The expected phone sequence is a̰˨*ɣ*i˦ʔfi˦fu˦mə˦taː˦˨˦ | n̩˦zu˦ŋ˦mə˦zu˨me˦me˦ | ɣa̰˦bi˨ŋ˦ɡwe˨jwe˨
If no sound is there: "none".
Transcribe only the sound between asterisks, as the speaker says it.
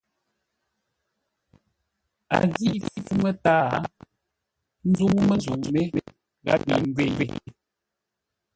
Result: ɣ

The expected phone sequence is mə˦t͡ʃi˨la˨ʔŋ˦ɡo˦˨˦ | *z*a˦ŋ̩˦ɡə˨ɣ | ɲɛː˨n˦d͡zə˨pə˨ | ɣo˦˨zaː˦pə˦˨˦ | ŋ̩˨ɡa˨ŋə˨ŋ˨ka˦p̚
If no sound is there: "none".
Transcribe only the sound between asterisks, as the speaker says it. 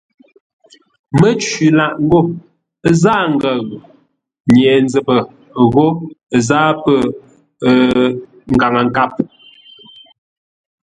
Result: z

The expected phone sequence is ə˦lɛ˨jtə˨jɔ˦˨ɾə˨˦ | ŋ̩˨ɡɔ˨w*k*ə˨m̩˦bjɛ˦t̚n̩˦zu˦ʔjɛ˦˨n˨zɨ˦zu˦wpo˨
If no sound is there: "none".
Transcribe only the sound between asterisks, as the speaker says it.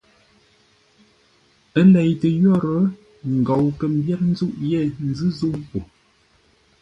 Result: k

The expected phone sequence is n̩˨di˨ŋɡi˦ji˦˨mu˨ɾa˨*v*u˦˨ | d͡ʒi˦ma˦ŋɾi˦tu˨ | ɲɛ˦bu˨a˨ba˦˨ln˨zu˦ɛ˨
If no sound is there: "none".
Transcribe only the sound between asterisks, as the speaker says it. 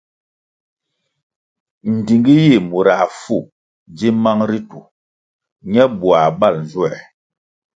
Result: f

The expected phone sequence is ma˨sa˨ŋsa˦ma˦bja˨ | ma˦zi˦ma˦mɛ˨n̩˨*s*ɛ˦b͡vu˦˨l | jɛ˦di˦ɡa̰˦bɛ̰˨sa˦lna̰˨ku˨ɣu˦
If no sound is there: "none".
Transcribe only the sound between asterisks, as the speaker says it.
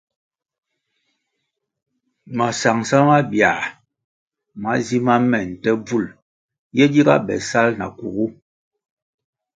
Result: t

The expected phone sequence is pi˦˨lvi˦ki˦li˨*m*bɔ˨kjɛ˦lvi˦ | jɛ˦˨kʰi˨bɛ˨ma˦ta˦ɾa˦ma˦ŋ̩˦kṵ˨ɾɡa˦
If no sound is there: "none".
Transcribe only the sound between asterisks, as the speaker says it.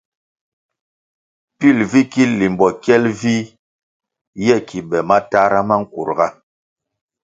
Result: m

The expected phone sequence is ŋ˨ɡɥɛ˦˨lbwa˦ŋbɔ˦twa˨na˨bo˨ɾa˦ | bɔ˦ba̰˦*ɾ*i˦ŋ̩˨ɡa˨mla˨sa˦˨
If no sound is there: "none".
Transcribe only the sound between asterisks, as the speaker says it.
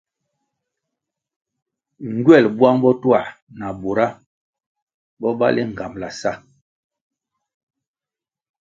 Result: l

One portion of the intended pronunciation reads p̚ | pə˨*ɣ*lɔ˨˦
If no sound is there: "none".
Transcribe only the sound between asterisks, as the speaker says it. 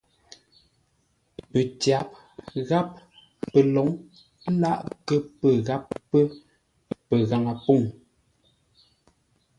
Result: none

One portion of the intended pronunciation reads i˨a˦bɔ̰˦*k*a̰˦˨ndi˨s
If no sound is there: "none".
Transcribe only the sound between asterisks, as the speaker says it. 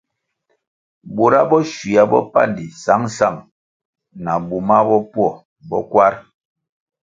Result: p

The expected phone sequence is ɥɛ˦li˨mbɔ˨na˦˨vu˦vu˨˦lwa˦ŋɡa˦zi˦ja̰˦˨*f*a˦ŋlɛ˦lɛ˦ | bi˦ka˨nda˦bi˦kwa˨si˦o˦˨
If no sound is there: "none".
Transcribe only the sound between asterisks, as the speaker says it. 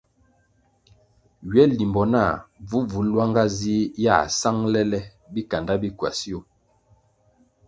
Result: s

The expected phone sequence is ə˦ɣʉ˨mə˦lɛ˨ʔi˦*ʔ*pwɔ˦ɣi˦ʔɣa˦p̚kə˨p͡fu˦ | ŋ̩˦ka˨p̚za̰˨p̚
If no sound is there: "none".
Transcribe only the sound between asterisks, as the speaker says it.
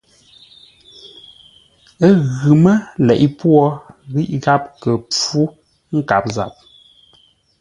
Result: none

